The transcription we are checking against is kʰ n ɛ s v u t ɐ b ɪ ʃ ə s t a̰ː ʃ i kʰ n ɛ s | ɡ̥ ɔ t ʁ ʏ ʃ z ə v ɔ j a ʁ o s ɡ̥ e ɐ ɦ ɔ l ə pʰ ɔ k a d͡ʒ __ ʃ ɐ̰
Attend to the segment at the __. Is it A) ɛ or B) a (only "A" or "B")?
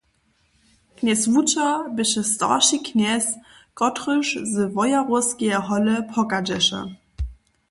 A